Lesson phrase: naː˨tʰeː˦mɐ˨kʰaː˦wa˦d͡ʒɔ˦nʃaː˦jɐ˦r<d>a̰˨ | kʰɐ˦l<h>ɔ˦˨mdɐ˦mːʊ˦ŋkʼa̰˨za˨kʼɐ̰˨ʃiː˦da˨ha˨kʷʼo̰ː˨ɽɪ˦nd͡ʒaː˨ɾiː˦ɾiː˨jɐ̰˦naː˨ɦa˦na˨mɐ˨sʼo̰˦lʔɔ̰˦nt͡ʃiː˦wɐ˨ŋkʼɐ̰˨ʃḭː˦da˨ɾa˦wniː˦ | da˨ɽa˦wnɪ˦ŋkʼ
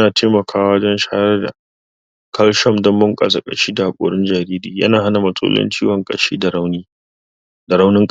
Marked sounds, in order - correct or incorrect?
correct, incorrect: ʃ

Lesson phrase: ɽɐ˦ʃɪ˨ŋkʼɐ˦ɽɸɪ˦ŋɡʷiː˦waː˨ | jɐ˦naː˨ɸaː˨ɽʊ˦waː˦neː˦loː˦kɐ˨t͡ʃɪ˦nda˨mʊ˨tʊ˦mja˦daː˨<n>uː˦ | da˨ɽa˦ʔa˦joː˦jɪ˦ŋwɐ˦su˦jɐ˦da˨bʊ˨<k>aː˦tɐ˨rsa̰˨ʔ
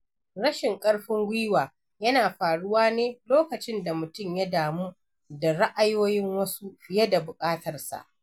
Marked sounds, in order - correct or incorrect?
incorrect: m, incorrect: kʼ

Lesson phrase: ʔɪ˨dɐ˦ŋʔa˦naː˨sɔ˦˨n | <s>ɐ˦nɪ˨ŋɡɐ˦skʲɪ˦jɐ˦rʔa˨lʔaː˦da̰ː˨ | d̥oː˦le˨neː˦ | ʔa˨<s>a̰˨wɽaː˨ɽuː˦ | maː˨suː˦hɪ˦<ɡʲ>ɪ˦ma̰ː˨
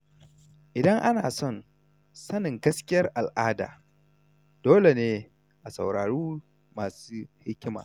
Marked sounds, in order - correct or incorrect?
correct, correct, incorrect: kʲ

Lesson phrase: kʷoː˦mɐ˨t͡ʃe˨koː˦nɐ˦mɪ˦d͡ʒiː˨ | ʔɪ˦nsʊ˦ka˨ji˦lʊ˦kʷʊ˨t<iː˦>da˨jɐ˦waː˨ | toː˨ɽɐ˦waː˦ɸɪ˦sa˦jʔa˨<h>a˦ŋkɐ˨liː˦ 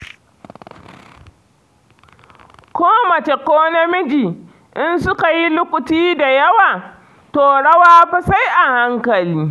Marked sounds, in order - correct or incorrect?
correct, correct

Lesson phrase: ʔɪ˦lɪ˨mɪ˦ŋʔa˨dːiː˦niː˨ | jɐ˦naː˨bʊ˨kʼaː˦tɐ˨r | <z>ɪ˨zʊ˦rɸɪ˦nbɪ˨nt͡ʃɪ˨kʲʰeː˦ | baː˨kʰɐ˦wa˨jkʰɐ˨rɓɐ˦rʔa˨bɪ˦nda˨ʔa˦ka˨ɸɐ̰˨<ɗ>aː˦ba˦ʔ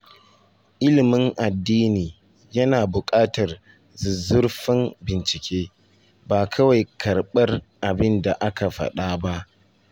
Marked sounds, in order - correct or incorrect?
correct, correct

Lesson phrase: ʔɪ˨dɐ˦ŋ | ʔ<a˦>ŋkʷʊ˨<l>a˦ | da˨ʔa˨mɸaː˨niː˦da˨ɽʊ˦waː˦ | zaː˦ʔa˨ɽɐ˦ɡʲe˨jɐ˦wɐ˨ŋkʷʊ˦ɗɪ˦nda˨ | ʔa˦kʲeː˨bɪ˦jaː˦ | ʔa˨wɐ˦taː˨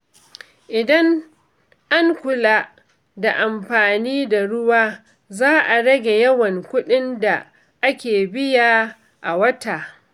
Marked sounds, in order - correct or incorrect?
correct, correct

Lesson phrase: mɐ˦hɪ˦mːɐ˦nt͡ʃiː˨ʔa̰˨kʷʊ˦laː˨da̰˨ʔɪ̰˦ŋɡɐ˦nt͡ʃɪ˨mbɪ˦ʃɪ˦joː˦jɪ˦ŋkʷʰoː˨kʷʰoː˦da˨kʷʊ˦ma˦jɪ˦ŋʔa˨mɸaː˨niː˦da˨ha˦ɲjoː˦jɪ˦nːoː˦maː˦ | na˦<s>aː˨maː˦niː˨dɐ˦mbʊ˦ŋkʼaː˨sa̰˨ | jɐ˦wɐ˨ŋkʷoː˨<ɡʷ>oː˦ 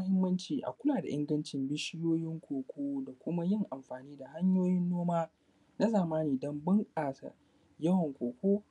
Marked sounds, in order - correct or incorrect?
incorrect: z, incorrect: kʷ

